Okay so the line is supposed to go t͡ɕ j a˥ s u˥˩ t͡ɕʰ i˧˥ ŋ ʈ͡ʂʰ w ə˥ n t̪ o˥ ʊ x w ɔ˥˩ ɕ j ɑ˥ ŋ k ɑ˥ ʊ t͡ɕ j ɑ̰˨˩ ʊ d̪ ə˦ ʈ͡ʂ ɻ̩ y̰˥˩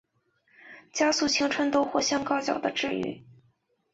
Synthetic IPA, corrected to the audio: t͡ɕ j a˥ s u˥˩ t͡ɕʰ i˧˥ ŋ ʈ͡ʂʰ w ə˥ n t̪ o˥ ʊ x w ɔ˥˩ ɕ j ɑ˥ ŋ k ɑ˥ ʊ t͡ɕ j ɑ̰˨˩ ʊ d̪ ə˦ ʈ͡ʂ ɻ̩ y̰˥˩